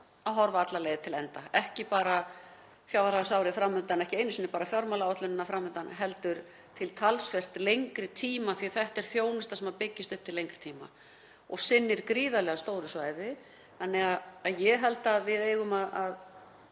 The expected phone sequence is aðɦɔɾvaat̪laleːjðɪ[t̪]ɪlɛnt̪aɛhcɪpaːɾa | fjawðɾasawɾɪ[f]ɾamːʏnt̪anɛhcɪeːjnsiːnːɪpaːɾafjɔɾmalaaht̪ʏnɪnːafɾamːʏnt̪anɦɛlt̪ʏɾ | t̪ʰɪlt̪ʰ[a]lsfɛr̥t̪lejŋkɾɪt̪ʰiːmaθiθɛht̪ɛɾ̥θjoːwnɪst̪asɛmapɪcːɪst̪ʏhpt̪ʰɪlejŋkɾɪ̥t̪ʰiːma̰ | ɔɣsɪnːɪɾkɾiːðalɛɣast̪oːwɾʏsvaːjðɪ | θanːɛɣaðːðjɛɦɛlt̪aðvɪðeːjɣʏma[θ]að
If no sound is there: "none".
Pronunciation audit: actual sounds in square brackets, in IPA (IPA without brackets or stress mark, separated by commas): t̪ʰ, f, a, ð